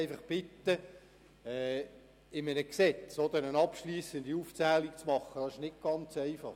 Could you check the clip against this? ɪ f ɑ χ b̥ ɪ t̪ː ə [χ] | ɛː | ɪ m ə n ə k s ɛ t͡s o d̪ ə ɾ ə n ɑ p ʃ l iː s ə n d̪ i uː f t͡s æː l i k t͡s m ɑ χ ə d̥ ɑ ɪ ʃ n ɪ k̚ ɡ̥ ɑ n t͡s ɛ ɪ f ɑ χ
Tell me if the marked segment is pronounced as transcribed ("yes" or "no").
no